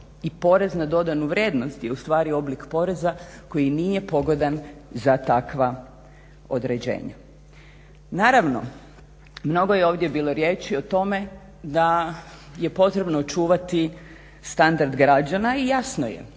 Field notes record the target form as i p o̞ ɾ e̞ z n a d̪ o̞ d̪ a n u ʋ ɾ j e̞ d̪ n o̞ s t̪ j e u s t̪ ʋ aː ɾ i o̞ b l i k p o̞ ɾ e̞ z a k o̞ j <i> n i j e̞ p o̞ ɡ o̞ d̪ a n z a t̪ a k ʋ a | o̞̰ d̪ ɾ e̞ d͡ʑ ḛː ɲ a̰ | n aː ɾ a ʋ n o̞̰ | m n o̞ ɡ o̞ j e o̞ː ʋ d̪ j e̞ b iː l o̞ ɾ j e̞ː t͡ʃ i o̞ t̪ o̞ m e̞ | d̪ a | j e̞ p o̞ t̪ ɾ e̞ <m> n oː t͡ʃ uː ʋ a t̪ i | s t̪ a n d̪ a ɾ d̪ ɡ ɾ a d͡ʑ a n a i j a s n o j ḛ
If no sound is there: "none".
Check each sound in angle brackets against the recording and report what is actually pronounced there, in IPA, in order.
i, b

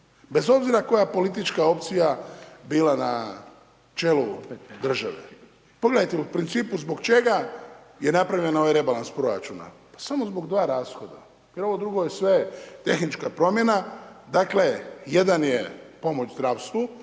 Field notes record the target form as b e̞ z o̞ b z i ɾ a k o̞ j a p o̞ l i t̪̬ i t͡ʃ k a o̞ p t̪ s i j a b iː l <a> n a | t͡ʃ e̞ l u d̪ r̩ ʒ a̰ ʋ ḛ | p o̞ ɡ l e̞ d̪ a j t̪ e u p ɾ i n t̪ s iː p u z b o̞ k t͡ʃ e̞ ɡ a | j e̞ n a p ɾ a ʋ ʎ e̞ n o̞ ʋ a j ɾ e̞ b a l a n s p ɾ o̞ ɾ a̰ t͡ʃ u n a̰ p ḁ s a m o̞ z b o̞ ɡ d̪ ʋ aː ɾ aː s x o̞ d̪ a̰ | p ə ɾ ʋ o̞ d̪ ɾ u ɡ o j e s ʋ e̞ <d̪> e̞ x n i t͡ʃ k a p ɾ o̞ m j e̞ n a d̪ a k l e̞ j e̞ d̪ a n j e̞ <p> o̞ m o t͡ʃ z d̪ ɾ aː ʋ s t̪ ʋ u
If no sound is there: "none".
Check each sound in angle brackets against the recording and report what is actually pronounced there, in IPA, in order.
a, t̪, p

